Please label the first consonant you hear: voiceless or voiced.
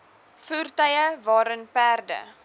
voiceless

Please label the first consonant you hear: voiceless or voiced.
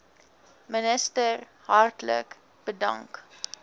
voiced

